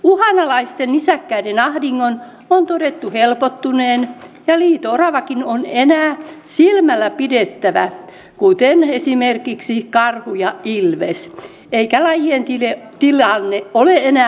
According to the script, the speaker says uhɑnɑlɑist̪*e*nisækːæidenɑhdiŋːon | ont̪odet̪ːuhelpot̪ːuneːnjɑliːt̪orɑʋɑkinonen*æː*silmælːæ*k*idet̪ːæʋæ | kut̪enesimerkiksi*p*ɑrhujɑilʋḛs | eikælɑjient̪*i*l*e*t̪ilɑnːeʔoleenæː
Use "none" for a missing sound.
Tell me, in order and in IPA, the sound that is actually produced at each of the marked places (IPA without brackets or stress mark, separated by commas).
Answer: e, æː, p, k, i, e